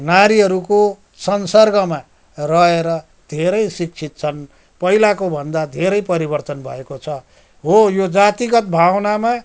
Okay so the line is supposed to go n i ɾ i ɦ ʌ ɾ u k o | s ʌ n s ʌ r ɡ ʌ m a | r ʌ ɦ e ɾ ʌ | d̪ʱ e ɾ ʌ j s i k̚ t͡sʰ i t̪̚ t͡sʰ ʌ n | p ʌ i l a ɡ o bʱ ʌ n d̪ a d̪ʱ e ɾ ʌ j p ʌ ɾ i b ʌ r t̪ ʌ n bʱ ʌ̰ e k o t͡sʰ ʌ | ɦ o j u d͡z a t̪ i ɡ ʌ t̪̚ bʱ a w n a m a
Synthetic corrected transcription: n a ɾ i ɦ ʌ ɾ u k o | s ʌ n s ʌ r ɡ ʌ m a | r ʌ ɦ e ɾ ʌ | d̪ʱ e ɾ ʌ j s i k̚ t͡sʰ i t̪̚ t͡sʰ ʌ n | p ʌ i l a k o bʱ ʌ n d̪ a d̪ʱ e ɾ ʌ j p ʌ ɾ i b ʌ r t̪ ʌ n bʱ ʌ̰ e k o t͡sʰ ʌ | ɦ o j o d͡z a t̪ i ɡ ʌ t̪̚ bʱ a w n a m a